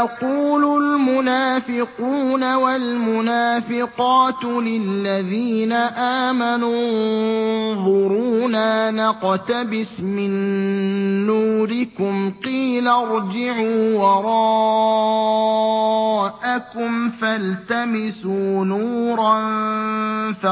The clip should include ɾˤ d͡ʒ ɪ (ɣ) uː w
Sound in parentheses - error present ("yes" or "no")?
yes